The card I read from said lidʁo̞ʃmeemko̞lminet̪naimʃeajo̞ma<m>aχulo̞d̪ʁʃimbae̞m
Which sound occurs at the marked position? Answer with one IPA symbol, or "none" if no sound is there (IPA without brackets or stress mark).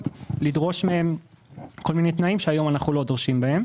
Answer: n